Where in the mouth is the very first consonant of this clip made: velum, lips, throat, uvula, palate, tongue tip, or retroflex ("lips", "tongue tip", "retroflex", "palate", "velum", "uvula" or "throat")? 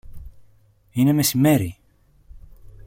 tongue tip